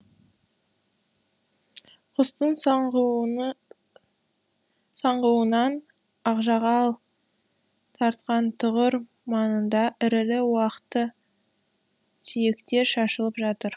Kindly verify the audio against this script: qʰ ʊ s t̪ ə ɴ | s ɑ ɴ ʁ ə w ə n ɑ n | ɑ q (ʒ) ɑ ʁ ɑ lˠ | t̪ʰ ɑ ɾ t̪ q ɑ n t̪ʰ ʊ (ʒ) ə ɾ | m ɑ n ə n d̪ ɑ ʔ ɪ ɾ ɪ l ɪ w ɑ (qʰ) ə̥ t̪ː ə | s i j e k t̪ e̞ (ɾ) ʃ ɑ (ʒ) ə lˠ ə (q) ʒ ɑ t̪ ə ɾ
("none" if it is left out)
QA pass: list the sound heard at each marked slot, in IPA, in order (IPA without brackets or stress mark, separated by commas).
ʒ, ʁ, q, ɾ, ʃ, p